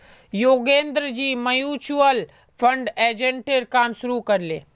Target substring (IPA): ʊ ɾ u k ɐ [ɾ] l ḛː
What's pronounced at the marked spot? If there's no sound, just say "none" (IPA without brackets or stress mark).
ɾ